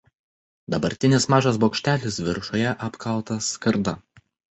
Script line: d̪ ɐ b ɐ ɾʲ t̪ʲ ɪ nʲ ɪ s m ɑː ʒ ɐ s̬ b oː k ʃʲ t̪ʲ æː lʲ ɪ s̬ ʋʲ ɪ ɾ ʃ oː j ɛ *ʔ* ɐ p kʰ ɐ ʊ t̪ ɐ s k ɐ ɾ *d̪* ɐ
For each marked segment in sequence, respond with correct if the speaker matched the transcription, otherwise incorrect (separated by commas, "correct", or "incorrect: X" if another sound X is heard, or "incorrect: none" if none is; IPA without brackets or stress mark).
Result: correct, correct